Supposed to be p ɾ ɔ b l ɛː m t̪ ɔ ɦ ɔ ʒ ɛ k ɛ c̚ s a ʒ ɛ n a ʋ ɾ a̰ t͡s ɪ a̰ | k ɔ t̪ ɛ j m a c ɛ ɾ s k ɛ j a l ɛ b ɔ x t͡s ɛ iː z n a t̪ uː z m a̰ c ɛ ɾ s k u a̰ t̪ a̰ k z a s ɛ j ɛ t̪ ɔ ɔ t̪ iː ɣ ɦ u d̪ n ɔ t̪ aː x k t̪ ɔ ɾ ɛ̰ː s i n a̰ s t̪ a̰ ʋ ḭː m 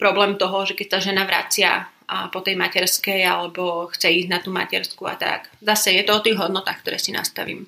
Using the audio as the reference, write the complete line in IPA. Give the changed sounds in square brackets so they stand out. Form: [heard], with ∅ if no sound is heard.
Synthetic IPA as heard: p ɾ ɔ b l ɛː m t̪ ɔ ɦ ɔ ʒ ɛ k ɛ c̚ s a ʒ ɛ n a ʋ ɾ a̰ t͡s ɪ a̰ | [p] ɔ t̪ ɛ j m a c ɛ ɾ s k ɛ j a l ɛ b ɔ x t͡s ɛ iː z n a t̪ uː [∅] m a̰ c ɛ ɾ s k u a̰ t̪ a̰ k z a s ɛ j ɛ t̪ ɔ ɔ t̪ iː ɣ ɦ [ɔ] d̪ n ɔ t̪ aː x k t̪ ɔ ɾ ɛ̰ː s i n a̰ s t̪ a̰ ʋ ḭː m